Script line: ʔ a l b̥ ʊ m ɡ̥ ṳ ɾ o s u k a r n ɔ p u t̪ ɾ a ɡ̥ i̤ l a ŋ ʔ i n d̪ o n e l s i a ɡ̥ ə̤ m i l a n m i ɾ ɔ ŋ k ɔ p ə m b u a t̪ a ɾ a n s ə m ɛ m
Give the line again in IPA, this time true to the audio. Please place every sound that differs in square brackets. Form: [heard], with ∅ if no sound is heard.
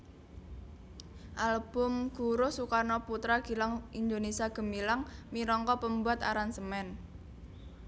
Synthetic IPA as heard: ʔ a l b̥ ʊ m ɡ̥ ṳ ɾ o s u k a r n ɔ p u t̪ ɾ a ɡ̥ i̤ l a ŋ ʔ i n d̪ o n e [∅] s i a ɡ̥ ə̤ m i l a [ŋ] m i ɾ ɔ ŋ k ɔ p ə m b u a t̪ a ɾ a n s ə m ɛ [n]